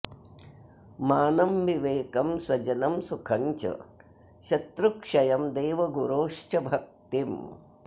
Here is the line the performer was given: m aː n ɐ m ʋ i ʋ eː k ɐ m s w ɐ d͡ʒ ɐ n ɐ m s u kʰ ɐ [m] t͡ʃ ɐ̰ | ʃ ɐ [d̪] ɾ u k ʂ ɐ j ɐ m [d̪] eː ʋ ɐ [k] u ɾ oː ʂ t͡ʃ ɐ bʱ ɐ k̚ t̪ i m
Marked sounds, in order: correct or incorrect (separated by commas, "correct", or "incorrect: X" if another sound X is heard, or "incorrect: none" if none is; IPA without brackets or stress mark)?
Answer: incorrect: ɲ, incorrect: t̪, correct, incorrect: ɡ